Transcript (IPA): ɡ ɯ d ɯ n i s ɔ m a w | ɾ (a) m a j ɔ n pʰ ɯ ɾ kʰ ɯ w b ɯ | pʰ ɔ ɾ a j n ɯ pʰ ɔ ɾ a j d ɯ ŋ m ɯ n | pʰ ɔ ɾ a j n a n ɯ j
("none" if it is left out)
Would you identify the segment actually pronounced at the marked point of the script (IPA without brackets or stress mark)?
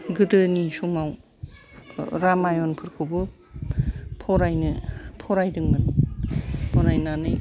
a